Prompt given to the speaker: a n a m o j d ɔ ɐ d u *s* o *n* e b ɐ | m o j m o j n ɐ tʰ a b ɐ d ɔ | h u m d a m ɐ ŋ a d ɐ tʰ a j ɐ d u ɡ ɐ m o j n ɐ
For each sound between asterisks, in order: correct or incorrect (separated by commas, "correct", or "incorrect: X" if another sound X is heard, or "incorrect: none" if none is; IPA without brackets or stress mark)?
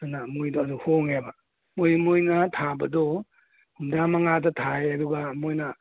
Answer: incorrect: h, incorrect: ŋ